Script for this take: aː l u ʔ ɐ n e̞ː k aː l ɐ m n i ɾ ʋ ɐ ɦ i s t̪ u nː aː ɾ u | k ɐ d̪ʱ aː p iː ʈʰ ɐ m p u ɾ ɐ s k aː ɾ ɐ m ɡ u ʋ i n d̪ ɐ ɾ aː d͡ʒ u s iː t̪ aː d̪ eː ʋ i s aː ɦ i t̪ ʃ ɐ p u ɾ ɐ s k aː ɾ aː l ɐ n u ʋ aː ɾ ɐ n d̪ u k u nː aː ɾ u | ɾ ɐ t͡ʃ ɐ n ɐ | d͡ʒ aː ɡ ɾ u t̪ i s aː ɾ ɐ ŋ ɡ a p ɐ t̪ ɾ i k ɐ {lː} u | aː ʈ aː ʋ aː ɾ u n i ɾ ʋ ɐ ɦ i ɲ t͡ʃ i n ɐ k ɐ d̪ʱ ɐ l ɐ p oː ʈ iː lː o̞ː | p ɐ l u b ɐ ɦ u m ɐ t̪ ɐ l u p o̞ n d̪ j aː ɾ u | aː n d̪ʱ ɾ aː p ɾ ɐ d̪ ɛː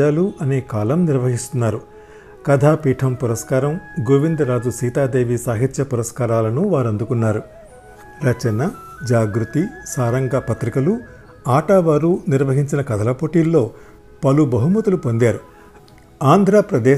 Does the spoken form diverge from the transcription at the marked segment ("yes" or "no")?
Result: yes